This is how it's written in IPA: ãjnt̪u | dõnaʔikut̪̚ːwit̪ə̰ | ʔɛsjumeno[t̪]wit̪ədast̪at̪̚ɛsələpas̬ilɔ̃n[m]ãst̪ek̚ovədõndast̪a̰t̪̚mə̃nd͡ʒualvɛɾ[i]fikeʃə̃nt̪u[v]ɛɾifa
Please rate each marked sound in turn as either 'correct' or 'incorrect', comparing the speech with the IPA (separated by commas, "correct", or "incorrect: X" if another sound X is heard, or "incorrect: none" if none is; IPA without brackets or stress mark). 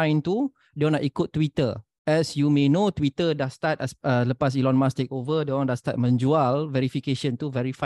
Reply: correct, correct, correct, correct